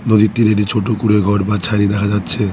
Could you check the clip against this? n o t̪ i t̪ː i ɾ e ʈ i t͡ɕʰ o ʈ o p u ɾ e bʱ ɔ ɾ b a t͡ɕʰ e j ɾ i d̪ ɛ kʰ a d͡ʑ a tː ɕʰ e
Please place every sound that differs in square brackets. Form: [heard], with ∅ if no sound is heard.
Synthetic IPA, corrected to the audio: n o [d̪] i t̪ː i ɾ e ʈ i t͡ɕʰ o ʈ o [k] u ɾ e [ɡʱ] ɔ ɾ b a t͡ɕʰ [a] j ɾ i d̪ ɛ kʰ a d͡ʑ a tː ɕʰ e